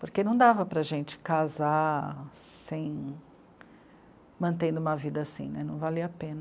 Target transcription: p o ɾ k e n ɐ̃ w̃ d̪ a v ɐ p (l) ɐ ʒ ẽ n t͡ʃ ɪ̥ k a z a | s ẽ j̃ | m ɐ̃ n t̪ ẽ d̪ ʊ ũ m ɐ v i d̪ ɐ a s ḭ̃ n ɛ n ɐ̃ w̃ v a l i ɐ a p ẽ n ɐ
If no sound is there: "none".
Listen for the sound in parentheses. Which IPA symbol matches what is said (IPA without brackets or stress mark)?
ɾ